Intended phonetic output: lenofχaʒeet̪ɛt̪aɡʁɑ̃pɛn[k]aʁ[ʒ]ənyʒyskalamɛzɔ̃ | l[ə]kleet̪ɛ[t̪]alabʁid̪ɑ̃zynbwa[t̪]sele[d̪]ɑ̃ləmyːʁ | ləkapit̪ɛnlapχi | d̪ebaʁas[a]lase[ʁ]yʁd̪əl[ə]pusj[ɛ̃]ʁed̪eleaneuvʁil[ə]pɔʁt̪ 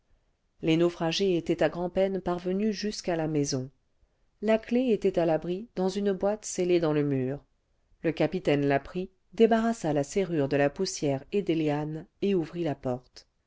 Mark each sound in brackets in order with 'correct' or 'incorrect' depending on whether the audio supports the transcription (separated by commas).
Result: incorrect, incorrect, incorrect, correct, correct, correct, correct, correct, incorrect, incorrect, incorrect